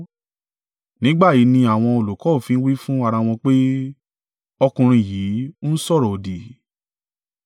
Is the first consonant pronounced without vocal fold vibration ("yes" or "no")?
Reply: no